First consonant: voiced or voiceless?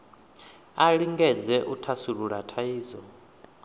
voiced